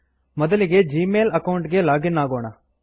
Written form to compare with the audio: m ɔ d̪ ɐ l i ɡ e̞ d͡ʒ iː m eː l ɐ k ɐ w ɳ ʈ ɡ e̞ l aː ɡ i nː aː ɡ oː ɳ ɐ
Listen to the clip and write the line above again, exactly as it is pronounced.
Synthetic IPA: m ɔ d̪ ɐ l i ɡ e̞ d͡ʒ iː m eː l ɐ k ɐ w ɳ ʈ ɡ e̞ l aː ɡ i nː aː ɡ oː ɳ ɐ